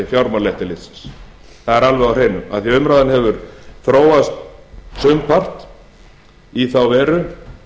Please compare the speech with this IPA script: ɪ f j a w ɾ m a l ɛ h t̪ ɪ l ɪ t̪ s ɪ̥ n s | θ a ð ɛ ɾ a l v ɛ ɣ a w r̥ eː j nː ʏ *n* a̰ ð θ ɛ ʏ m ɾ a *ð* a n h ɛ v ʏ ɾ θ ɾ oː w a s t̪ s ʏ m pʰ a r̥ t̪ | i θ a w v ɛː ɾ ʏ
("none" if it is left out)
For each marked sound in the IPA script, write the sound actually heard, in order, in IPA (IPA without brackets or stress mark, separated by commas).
m, ð